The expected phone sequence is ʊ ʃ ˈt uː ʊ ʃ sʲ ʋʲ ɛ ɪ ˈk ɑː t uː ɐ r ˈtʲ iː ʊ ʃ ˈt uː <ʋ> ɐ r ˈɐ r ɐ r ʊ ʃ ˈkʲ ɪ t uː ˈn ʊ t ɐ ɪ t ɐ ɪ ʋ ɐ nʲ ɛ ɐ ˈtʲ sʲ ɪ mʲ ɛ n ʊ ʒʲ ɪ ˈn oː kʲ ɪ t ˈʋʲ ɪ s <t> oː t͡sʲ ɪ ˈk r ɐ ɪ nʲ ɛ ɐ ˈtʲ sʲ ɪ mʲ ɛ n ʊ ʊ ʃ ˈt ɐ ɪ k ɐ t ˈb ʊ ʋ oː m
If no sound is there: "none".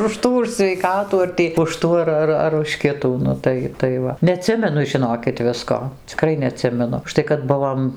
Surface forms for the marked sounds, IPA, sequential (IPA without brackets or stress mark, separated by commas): none, k